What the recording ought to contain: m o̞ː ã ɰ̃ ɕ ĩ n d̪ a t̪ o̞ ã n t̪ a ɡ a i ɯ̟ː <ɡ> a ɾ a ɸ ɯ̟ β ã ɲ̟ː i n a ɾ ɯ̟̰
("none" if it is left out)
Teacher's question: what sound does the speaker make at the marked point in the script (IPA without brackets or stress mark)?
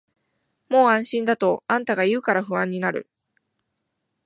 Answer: k